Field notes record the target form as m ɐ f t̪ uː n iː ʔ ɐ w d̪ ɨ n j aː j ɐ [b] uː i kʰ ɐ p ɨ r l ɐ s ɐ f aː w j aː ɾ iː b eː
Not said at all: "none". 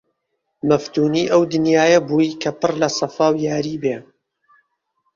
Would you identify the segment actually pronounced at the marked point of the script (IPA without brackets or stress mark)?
b